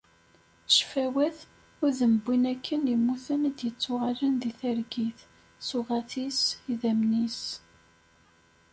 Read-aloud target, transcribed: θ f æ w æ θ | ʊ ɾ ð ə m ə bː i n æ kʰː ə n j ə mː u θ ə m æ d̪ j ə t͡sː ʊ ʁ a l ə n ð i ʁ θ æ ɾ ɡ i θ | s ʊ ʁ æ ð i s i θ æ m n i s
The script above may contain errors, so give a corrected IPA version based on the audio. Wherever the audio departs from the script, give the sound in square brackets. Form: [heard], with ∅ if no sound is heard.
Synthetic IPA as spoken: [ʃ] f æ w æ θ | ʊ ɾ ð ə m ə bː i n æ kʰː ə n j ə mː u θ ə [n] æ d̪ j ə t͡sː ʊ ʁ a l ə n ð i [∅] θ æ ɾ ɡ i θ | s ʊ ʁ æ [θ] i s i [ð] æ m n i s